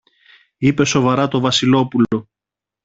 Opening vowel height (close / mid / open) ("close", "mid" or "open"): close